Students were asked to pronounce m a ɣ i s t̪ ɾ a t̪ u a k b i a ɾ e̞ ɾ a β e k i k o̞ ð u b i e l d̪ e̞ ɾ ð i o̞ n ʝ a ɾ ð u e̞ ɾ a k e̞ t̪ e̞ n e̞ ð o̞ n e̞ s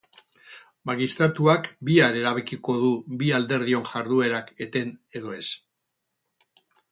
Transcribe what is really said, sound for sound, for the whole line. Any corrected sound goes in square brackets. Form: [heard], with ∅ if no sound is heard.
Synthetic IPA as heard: m a ɣ i s t̪ ɾ a t̪ u a k b i a ɾ e̞ ɾ a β e k i k o̞ ð u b i [a] l d̪ e̞ ɾ ð i o̞ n ʝ a ɾ ð u e̞ ɾ a k e̞ t̪ e̞ n e̞ ð o̞ [∅] e̞ s